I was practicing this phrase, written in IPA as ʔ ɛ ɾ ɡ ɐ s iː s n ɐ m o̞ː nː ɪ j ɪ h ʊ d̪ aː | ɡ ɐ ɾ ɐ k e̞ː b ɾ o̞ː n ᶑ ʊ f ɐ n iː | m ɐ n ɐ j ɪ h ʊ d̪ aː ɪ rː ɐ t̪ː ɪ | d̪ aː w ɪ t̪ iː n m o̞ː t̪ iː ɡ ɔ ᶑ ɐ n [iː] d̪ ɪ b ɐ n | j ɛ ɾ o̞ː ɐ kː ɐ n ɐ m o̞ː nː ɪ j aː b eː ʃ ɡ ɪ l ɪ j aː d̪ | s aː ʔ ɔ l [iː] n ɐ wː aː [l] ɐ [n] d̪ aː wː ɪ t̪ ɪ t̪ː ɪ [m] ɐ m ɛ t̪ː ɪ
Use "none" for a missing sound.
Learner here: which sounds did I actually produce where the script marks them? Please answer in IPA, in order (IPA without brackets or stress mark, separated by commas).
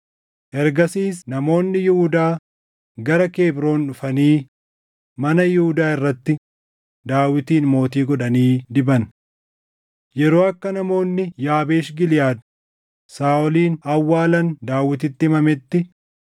iː, iː, l, n, m